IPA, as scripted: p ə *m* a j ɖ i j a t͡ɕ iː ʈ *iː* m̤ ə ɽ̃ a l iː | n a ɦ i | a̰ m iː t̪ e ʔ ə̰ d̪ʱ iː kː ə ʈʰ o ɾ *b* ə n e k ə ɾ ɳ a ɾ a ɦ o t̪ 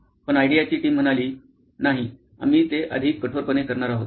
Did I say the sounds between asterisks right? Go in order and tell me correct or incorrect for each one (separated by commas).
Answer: incorrect, correct, incorrect